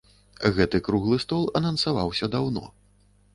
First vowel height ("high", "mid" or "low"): mid